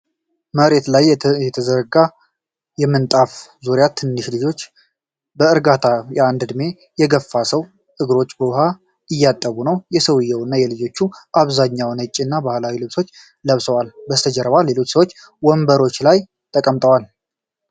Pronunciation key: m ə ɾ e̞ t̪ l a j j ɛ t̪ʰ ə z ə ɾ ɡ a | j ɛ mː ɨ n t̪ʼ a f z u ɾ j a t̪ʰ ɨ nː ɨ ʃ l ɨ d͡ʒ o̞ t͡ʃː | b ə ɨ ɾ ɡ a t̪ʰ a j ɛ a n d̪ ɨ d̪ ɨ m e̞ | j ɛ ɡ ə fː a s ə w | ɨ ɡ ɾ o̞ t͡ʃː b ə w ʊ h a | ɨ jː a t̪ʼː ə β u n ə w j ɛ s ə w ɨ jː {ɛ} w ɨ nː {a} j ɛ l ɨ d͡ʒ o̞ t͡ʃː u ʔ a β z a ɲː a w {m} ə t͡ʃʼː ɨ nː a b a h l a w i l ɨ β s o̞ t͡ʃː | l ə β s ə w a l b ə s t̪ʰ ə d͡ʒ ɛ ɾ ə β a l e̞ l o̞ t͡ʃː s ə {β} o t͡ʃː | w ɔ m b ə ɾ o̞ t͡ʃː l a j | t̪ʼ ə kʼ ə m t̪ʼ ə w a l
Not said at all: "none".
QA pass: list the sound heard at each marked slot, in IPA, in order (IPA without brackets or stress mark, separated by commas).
ɛ, a, n, w